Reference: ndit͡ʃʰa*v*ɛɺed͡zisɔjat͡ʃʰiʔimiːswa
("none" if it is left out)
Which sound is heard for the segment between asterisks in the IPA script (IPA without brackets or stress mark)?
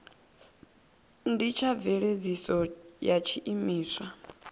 v